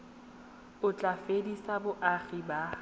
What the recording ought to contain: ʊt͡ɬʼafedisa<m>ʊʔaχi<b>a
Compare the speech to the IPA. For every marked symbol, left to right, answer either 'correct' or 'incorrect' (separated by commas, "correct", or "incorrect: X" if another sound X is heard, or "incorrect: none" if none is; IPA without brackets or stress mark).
incorrect: b, correct